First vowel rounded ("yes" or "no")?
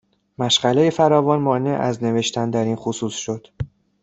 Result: no